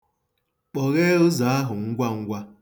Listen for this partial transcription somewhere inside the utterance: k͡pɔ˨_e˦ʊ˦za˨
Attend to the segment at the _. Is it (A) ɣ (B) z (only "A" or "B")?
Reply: A